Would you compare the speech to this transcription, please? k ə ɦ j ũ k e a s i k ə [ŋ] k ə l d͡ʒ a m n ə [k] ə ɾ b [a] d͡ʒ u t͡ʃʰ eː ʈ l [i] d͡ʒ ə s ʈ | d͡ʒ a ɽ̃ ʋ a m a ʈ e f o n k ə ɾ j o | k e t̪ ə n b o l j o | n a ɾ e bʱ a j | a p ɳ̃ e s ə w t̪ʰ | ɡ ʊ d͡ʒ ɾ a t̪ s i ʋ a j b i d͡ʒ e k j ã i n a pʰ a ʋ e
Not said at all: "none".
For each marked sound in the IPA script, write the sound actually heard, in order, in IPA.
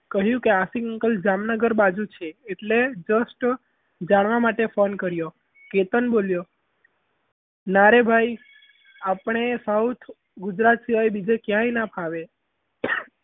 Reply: ŋ, ɡ, a, e

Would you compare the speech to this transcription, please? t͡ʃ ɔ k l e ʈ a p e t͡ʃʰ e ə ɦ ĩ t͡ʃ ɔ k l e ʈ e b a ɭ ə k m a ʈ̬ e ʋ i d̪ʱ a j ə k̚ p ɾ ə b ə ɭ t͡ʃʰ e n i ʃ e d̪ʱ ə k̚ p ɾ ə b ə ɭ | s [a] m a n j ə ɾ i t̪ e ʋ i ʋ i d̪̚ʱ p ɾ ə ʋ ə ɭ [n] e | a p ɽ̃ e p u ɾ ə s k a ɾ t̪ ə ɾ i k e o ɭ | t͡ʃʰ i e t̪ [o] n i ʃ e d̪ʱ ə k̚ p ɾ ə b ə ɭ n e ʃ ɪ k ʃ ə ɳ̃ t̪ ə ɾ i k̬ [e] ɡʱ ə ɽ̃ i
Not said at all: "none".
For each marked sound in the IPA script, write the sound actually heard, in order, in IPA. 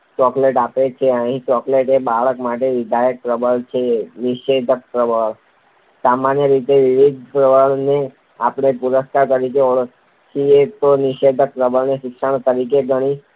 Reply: a, n, o, e

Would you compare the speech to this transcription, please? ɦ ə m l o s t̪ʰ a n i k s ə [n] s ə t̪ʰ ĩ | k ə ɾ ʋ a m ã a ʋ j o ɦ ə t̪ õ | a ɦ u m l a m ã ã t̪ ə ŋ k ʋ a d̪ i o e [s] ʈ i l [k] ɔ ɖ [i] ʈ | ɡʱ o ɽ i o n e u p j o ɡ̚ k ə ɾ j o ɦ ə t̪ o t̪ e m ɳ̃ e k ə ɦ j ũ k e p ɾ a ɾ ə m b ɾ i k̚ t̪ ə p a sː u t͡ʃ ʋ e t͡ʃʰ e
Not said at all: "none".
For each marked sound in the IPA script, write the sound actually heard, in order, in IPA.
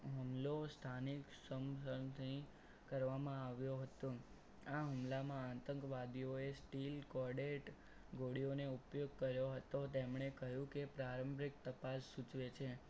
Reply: m, s, k, e

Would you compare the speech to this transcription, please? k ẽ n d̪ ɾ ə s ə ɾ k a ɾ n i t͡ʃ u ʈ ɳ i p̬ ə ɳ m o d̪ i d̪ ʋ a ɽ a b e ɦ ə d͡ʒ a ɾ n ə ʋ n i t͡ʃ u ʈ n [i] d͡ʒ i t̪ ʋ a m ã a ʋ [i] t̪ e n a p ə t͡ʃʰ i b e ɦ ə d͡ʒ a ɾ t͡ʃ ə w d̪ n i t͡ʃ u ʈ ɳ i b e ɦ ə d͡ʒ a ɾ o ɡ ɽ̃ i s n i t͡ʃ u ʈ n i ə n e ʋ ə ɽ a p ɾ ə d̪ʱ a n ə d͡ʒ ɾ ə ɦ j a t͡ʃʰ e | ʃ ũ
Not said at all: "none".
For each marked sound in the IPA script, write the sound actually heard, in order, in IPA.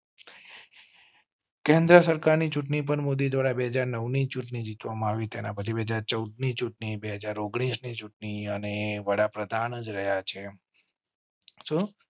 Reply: i, i

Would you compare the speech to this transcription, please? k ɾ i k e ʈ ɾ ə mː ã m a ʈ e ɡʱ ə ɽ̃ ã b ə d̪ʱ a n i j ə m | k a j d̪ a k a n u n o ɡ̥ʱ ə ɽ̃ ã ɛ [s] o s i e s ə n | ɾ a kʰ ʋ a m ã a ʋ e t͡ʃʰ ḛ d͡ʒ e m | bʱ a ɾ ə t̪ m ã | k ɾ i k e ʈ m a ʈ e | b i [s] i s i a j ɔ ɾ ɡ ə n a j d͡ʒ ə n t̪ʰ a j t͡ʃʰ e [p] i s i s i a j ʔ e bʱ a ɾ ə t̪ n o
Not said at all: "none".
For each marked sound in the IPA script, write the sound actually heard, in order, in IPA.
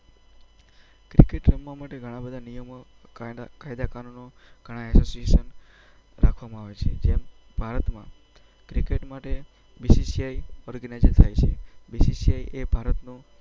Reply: s, s, b

